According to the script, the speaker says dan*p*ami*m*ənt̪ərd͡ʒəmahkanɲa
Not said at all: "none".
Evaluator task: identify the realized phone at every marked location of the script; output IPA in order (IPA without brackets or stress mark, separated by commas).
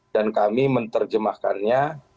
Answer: k, m